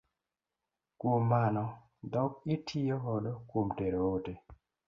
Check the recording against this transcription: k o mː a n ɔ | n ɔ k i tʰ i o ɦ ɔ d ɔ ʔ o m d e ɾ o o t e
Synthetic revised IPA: k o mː a n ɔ | d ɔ k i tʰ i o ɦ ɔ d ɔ k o m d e ɾ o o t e